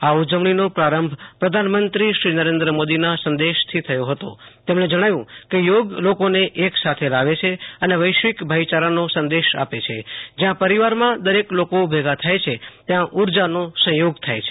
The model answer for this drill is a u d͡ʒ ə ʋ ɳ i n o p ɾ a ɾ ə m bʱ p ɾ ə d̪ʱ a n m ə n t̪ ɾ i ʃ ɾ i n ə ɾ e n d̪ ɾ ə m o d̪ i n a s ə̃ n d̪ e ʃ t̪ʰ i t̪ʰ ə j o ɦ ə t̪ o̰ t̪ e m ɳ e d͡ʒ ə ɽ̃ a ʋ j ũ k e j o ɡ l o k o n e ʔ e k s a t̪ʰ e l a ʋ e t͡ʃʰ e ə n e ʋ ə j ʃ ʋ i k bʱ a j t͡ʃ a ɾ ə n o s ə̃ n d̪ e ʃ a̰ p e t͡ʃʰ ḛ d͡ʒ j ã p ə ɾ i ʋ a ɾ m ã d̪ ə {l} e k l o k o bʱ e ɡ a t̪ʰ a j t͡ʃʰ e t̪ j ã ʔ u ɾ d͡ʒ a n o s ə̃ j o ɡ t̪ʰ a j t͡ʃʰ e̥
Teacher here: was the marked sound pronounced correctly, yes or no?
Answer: no